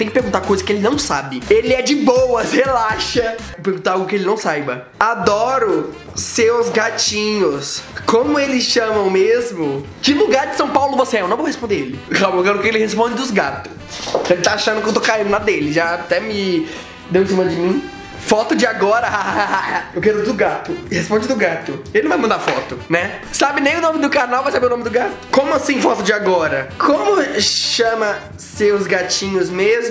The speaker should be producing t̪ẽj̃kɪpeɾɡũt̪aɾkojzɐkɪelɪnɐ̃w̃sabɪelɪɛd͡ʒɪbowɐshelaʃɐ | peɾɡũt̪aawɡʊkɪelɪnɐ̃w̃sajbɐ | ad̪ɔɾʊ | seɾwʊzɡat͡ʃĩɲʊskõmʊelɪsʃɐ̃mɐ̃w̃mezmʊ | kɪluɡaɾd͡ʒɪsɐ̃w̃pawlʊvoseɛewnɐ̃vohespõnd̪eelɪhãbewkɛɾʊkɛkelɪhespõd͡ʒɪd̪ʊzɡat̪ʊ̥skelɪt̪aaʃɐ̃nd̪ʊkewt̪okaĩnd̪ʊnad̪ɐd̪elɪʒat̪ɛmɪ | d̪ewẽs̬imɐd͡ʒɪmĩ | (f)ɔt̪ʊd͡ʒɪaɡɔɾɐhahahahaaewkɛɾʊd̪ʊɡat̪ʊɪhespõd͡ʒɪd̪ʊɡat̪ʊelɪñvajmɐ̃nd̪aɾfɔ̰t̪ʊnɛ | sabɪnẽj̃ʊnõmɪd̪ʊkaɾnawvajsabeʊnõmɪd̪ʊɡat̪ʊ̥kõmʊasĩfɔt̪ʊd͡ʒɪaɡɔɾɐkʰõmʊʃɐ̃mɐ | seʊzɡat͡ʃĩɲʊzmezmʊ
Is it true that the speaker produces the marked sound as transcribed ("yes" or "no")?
yes